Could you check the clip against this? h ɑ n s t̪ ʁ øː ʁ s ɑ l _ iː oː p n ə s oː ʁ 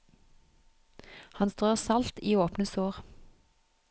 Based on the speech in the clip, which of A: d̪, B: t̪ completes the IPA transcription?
B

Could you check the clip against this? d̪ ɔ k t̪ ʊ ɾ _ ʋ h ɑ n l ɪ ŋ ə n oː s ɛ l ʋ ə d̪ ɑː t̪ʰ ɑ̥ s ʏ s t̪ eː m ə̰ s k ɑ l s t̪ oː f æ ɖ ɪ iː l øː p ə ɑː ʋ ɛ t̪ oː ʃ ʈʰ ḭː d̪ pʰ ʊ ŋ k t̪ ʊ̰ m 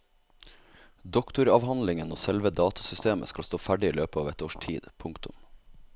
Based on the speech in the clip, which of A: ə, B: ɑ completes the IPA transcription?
B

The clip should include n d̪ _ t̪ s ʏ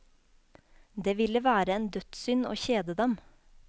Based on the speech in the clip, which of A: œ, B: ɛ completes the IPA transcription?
A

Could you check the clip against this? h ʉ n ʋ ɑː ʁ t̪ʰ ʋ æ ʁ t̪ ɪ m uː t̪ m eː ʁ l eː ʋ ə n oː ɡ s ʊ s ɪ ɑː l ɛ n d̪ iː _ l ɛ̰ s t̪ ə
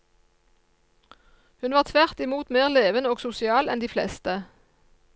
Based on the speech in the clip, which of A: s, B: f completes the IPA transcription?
B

